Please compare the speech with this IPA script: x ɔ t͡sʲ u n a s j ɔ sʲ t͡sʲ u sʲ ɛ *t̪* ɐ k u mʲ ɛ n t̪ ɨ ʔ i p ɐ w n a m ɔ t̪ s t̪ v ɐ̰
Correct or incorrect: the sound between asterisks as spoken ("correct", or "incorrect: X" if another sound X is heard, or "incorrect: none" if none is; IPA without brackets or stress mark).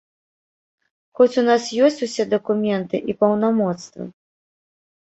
incorrect: d̪